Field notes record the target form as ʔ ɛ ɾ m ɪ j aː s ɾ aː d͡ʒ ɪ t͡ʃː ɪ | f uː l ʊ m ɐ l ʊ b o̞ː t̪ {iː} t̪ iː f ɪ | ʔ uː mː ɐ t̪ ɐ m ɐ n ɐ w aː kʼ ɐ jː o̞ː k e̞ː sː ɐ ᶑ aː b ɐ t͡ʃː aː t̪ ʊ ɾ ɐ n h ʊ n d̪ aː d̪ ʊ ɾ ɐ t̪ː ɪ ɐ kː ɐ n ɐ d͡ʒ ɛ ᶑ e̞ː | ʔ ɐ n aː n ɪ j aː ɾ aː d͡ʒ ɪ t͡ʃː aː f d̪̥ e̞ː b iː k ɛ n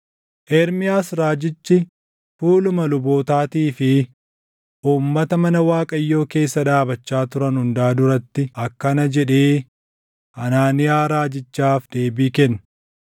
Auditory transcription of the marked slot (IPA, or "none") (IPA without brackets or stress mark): aː